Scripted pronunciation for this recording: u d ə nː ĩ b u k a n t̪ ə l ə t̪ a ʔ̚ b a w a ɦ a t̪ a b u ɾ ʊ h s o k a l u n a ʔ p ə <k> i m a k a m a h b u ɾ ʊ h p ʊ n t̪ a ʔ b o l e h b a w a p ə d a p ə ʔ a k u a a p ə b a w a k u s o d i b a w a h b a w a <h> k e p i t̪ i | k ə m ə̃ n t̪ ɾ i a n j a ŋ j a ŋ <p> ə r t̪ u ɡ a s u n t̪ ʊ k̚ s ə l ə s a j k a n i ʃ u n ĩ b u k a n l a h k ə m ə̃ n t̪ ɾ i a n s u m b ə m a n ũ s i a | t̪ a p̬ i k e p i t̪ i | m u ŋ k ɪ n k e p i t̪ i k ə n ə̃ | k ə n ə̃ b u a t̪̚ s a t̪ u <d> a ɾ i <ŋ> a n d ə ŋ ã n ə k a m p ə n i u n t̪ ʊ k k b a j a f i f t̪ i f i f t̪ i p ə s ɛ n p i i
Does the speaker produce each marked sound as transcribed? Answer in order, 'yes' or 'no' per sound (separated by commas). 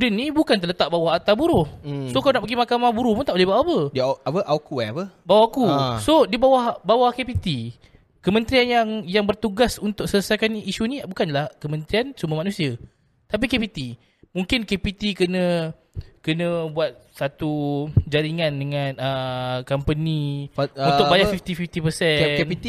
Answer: no, yes, no, no, yes